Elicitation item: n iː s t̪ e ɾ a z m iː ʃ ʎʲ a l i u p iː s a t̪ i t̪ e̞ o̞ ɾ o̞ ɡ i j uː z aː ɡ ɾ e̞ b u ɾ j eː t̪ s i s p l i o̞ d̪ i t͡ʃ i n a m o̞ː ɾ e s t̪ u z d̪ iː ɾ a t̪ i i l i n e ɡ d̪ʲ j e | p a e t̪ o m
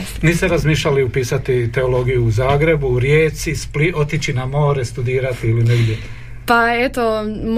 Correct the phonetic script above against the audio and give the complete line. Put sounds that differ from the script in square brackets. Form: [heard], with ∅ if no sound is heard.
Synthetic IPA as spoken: n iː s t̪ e ɾ a z m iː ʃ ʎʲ a l i u p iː s a t̪ i t̪ e̞ o̞ [l] o̞ ɡ i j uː z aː ɡ ɾ e̞ b u ɾ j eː t̪ s i s p l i o̞ [t̪] i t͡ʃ i n a m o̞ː ɾ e s t̪ u [∅] d̪ iː ɾ a t̪ i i l i n e ɡ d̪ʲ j e | p a e t̪ o m